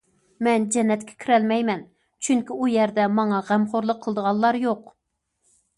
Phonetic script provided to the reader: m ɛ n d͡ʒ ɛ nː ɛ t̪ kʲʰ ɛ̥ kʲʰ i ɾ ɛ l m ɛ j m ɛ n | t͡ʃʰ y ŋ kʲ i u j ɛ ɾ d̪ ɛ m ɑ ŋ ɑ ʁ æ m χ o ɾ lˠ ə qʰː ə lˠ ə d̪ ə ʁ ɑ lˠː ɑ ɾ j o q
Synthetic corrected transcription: m ɛ n d͡ʒ ɛ nː ɛ t̪ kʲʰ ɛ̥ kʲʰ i ɾ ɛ l m ɛ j m ɛ n | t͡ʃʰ y ŋ kʲ i u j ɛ ɾ d̪ ɛ m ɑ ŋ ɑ ʁ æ m χ o ɾ lˠ ə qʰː ə lˠ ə d̪ ə ʁ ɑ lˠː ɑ ɾ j o q